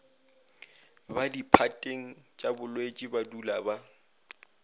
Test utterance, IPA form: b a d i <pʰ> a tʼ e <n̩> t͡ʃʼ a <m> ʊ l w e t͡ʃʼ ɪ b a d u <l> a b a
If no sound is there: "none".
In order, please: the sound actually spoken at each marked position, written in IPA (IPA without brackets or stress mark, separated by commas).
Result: pʰ, ŋ̩, b, l